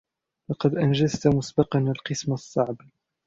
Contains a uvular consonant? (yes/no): yes